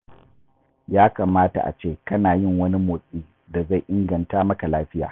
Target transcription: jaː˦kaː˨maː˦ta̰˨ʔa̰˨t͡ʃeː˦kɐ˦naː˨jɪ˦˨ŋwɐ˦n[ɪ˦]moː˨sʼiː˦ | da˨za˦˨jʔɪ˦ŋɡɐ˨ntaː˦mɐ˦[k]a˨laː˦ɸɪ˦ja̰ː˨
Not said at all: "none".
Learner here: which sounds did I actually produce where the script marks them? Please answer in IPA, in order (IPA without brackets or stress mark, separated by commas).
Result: i˦, k